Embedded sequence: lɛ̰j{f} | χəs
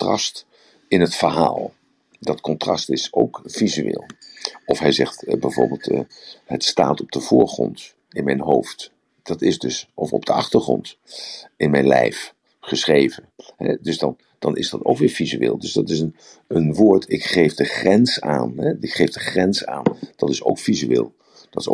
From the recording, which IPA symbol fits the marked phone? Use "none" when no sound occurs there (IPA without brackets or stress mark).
f